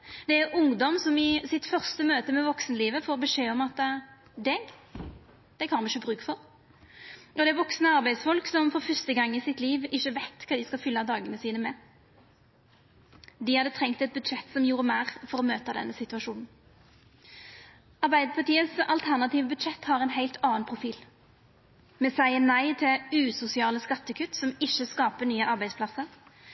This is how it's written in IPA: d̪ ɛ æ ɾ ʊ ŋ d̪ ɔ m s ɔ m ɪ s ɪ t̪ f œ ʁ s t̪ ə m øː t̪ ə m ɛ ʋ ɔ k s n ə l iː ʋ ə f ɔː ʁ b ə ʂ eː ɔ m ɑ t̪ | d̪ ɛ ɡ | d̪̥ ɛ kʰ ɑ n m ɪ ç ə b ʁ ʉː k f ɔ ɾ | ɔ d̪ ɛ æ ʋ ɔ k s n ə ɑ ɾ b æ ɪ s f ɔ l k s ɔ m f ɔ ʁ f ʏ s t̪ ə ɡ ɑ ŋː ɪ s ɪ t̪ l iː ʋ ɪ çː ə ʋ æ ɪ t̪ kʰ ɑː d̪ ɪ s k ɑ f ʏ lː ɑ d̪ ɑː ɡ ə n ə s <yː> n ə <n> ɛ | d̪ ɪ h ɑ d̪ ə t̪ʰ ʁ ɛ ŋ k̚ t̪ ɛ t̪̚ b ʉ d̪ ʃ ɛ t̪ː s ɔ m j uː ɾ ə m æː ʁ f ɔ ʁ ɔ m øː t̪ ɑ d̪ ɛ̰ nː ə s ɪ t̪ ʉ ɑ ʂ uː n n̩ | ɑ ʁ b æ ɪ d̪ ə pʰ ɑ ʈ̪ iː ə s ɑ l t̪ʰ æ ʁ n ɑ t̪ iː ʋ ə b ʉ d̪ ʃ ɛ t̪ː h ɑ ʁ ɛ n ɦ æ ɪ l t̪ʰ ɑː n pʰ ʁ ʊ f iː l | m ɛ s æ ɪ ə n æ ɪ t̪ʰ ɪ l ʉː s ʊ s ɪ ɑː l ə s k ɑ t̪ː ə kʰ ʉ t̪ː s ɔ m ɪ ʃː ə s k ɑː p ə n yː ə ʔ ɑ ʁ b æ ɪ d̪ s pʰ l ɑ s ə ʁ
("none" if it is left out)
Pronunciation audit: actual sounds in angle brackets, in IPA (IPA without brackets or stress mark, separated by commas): iː, m